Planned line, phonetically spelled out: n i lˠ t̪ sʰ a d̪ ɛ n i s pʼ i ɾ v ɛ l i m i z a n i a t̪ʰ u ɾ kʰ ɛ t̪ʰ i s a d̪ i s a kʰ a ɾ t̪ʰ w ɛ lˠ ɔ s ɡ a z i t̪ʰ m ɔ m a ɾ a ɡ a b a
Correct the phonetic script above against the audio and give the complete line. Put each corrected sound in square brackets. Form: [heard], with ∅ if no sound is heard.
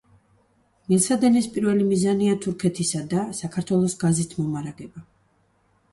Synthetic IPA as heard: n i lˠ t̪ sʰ a d̪ ɛ n i s pʼ i ɾ v ɛ l i m i z a n i a t̪ʰ u ɾ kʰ ɛ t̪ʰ i s a d̪ [a] s a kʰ a ɾ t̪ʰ w ɛ lˠ ɔ s ɡ a z i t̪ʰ m ɔ m a ɾ a ɡ [ɛ] b a